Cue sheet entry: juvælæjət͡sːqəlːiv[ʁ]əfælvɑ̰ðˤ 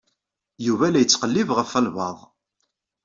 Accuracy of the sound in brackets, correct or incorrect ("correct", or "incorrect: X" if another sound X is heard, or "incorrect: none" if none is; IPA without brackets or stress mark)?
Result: correct